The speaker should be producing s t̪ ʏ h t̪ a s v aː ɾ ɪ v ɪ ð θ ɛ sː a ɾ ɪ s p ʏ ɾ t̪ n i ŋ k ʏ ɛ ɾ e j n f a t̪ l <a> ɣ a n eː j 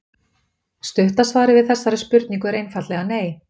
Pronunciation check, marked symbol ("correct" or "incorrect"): incorrect